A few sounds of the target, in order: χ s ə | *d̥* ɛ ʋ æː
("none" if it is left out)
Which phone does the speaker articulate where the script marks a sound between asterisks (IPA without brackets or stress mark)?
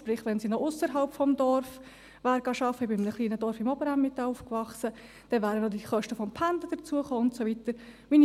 d̥